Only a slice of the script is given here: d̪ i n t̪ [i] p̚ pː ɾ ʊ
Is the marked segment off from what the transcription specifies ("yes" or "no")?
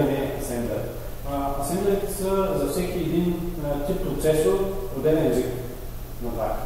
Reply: no